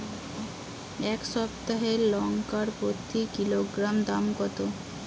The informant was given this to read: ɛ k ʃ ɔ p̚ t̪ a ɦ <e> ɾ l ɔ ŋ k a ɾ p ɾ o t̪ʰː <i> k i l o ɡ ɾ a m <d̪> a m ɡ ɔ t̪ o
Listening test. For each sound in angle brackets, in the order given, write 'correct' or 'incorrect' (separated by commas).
correct, correct, correct